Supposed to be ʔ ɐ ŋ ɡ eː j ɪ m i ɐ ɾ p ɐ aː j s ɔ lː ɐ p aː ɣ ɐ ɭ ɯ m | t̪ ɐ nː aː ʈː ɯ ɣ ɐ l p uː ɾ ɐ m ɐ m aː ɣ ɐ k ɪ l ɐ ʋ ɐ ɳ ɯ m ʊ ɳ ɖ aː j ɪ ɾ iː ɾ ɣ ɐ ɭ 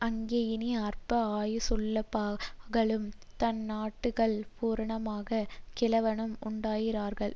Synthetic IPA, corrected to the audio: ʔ ɐ ŋ ɡ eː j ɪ n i ɐ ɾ p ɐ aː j s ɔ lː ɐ p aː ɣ ɐ ɭ ɯ m | t̪ ɐ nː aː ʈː ɯ ɣ ɐ ɭ p uː ɾ ɐ ɳ ɐ m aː ɣ ɐ k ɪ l ɐ ʋ ɐ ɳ ɯ m ʊ ɳ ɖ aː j ɪ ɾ aː ɾ ɣ ɐ ɭ